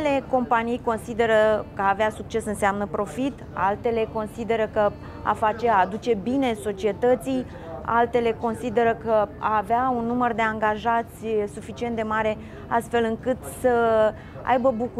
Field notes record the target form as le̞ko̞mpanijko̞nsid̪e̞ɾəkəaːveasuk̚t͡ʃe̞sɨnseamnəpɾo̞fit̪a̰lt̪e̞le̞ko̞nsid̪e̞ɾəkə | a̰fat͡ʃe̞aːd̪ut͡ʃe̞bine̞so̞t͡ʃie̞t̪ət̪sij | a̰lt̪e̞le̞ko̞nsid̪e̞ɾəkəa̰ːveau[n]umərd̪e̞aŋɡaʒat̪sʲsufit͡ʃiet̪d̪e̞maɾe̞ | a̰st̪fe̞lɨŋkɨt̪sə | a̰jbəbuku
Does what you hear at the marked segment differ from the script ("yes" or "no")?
yes